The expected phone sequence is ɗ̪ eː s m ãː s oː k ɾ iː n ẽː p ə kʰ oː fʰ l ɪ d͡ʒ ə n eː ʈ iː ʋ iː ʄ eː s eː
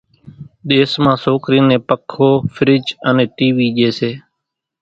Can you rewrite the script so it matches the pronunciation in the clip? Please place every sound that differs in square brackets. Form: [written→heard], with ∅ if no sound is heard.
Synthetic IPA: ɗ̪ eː s m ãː s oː k ɾ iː n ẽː p ə kʰ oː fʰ [l→ɾ] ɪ d͡ʒ ə n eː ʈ iː ʋ iː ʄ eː s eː